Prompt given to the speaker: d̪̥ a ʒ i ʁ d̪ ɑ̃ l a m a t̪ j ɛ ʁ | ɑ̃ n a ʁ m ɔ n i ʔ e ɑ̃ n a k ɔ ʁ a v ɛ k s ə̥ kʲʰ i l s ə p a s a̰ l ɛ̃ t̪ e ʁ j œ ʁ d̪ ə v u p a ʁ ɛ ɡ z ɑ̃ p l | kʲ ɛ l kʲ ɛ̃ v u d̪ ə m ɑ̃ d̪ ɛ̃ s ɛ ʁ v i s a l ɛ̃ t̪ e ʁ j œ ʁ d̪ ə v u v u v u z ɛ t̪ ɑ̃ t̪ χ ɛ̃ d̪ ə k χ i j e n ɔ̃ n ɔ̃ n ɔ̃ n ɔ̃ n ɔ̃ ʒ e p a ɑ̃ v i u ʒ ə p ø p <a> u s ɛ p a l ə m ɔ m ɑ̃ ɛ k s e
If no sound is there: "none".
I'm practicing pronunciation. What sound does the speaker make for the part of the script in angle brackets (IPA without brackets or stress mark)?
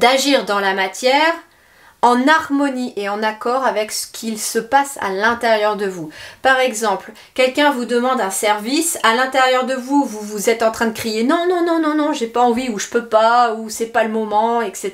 a